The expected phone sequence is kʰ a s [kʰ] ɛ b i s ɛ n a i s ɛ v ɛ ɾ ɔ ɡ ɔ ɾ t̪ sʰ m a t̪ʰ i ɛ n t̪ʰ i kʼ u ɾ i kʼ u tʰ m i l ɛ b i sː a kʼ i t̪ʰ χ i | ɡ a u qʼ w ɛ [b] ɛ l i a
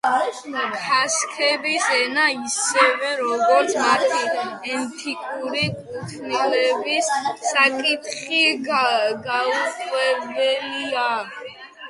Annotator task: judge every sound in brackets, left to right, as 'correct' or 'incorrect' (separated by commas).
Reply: correct, correct